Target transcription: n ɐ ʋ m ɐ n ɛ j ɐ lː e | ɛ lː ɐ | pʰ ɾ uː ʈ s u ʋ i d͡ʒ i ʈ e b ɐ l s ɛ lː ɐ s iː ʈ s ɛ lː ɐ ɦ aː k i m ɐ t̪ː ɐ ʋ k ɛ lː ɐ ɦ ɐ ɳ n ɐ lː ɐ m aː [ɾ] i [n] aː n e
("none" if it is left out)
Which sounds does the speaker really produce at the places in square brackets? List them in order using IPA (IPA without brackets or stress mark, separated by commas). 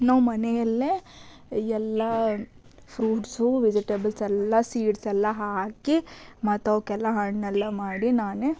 ɽ, n